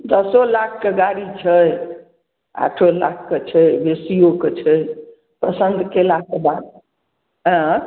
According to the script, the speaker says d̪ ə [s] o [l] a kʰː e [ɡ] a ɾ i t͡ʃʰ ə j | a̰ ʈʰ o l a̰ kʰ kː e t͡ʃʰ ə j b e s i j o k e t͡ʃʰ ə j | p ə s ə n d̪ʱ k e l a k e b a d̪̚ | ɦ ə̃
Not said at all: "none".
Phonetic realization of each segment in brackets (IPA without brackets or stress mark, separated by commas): s, l, ɡ